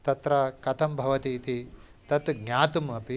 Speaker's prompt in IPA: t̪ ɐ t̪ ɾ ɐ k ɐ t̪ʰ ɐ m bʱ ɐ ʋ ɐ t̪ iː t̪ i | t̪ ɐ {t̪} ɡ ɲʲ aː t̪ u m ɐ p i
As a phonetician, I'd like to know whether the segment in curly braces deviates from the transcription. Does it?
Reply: no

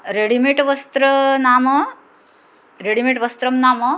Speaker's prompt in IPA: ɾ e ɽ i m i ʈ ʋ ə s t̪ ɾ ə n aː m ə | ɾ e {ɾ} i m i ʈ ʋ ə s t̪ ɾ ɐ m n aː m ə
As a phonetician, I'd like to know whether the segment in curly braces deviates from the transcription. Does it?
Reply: yes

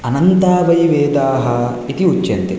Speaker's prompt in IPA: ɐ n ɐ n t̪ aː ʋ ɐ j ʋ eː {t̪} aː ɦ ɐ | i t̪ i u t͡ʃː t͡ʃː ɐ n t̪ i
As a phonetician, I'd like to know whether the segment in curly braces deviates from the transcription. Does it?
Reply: yes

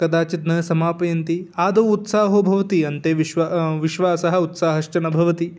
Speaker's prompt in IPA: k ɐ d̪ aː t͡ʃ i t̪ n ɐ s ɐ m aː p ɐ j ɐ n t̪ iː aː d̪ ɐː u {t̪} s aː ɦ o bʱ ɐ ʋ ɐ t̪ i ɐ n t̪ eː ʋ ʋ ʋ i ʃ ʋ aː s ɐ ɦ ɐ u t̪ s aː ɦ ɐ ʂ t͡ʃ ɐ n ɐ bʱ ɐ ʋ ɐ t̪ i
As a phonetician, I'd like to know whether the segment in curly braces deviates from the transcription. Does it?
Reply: no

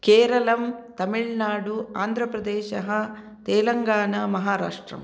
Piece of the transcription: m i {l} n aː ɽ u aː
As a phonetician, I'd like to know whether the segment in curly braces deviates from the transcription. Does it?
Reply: yes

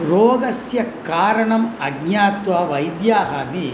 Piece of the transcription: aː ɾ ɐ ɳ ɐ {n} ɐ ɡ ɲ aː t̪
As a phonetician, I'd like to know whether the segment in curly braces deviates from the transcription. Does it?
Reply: yes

